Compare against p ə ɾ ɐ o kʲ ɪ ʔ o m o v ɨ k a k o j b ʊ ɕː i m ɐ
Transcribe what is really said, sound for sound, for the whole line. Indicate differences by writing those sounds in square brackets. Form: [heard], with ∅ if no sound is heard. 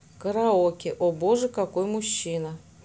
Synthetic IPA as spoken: [k] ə ɾ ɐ o kʲ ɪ ʔ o [b] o [ʐ] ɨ k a k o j [m] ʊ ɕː i [n] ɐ